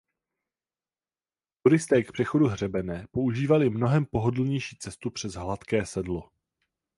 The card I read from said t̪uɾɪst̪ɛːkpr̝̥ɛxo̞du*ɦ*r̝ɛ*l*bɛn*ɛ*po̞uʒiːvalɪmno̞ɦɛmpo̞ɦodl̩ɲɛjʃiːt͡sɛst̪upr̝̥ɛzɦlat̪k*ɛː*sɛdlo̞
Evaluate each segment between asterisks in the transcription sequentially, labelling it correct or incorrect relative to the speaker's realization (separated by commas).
correct, incorrect, incorrect, correct